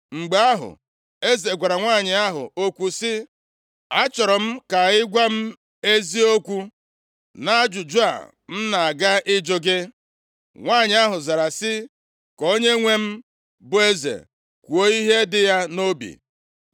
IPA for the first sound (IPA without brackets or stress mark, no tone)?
ŋ͡m̩